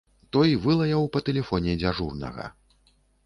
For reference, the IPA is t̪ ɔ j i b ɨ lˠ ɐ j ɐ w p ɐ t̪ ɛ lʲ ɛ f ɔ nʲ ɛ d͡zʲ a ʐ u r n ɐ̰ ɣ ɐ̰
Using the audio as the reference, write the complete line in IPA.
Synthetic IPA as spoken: t̪ ɔ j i v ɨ lˠ ɐ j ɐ w p ɐ t̪ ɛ lʲ ɛ f ɔ nʲ ɛ d͡zʲ a ʐ u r n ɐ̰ ɣ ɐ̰